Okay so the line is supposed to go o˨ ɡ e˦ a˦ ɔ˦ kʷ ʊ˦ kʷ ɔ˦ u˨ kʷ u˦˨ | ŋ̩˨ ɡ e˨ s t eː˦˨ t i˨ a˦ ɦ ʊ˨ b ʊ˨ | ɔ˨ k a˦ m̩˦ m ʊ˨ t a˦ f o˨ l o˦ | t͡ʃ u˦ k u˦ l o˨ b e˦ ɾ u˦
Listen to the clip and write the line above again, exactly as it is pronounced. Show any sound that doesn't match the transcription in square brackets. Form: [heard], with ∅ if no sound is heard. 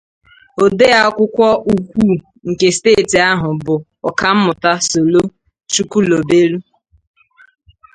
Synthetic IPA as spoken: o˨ [d] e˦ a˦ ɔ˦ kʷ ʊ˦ kʷ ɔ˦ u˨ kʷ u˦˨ | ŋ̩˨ [k] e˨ s t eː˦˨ t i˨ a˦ ɦ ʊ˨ b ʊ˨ | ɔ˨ k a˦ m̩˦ m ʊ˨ t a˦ [s] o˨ l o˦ | t͡ʃ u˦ k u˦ l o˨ b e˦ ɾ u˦